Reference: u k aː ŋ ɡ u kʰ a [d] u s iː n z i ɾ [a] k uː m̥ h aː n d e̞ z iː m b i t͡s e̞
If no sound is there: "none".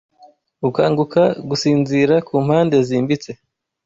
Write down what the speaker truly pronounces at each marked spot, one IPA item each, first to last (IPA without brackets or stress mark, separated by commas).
ɡ, a